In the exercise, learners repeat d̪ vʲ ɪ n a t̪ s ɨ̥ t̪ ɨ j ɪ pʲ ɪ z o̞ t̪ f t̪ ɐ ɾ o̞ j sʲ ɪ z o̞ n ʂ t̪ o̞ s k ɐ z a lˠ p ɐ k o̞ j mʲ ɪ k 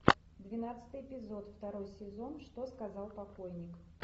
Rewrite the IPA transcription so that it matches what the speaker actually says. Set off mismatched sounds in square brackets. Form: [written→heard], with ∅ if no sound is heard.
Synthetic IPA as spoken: d̪ vʲ ɪ n a t̪ s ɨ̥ t̪ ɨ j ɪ pʲ ɪ z o̞ t̪ f t̪ ɐ ɾ o̞ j sʲ ɪ z o̞ n ʂ t̪ o̞ s k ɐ z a lˠ p ɐ k o̞ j [mʲ→nʲ] ɪ k